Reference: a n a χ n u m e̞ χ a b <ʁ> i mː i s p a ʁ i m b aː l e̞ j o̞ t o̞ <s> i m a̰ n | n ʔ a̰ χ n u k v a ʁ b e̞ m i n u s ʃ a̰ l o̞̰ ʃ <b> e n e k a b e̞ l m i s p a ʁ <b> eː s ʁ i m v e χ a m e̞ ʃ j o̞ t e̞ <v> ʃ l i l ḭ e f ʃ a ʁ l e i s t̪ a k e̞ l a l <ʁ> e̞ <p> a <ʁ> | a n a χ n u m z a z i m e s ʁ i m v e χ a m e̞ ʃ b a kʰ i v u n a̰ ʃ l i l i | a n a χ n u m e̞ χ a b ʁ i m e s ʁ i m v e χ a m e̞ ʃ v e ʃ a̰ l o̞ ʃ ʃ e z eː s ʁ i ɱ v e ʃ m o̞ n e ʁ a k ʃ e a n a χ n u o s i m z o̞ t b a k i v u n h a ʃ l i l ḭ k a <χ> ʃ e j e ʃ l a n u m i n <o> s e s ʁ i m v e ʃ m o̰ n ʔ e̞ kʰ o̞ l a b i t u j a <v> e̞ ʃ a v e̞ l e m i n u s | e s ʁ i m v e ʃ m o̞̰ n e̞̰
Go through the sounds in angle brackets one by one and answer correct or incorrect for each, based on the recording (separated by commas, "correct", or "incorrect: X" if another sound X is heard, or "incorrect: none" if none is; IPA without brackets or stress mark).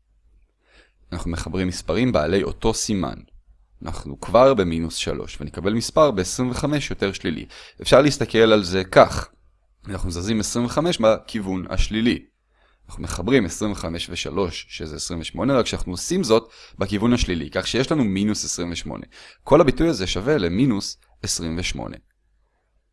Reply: correct, correct, incorrect: v, correct, incorrect: ʁ, incorrect: z, incorrect: k, incorrect: χ, correct, incorrect: u, incorrect: z